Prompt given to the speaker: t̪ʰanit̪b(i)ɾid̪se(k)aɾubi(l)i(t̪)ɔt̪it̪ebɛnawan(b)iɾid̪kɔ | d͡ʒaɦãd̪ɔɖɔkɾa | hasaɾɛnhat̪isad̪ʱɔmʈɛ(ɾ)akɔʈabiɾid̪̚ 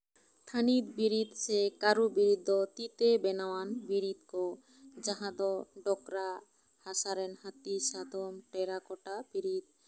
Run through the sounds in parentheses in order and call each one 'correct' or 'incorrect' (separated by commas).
correct, correct, incorrect, incorrect, correct, correct